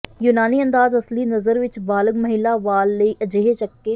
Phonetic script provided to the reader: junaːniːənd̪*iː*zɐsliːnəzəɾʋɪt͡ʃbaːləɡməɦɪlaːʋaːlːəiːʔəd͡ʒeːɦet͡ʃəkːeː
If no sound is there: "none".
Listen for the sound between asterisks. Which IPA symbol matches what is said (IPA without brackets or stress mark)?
aː